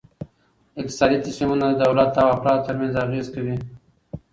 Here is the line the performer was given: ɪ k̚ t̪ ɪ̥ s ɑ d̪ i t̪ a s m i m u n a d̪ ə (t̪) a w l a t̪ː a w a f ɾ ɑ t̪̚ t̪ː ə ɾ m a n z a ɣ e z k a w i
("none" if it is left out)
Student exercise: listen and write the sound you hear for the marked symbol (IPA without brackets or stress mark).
d̪